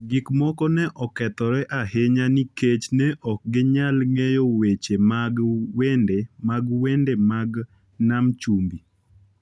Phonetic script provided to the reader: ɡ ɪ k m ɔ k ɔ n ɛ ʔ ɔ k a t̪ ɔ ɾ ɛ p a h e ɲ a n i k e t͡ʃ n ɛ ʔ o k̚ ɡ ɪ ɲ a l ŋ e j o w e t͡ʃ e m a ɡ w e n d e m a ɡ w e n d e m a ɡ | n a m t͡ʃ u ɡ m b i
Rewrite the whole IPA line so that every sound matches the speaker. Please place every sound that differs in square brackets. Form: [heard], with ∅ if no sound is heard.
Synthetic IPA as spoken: ɡ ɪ k m ɔ k ɔ n ɛ ʔ ɔ k [ɛ] t̪ ɔ ɾ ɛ [ʔ] a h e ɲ a n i k e t͡ʃ n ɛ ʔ [ɔ] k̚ ɡ ɪ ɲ a l ŋ e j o w e t͡ʃ e m a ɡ w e n d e m a ɡ w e n d e m a ɡ | n a m t͡ʃ u [∅] m b i